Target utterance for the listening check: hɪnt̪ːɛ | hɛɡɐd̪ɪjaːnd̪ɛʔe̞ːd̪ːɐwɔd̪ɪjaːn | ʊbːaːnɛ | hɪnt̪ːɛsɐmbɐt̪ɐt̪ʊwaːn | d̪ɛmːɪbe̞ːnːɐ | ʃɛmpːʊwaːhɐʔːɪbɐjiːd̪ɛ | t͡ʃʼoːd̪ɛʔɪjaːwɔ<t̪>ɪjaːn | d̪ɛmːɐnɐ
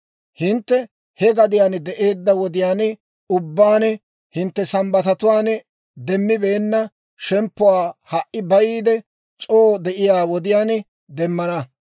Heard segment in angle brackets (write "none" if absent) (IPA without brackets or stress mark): d̪